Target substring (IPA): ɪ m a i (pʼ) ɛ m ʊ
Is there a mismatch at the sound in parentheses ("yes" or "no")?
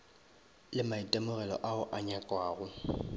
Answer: yes